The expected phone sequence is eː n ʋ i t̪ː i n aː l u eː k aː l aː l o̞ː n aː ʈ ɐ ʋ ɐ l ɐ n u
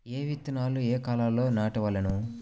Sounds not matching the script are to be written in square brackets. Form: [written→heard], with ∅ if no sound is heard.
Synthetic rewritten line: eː [n→∅] ʋ i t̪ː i n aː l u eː k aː l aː l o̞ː n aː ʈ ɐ ʋ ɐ l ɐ n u